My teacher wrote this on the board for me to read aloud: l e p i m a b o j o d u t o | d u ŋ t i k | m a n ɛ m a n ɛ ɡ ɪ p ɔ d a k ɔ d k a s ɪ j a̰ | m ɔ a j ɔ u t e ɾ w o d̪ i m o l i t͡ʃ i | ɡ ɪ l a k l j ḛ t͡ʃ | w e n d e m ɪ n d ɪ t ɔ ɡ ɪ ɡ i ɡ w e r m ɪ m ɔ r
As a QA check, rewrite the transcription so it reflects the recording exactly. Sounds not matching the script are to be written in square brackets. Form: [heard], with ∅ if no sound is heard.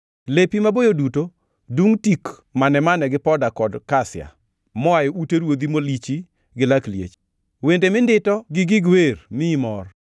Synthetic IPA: l e p i m a b o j o d u t o | d u ŋ t i k | m a n ɛ m a n ɛ ɡ ɪ p ɔ d a k ɔ d k a s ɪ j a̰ | m ɔ a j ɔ u t e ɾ w o d̪ i m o l i t͡ʃ i | ɡ ɪ l a k l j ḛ t͡ʃ | w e n d e m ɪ n d ɪ t ɔ ɡ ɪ ɡ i ɡ w e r m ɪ m ɔ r